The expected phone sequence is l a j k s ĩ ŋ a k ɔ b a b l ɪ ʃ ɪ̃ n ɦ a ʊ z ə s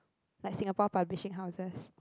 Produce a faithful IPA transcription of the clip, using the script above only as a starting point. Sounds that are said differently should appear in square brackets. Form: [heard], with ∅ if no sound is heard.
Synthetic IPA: l a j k s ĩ ŋ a [p] ɔ [p] a b l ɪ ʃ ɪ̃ [ŋ] ɦ a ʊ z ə s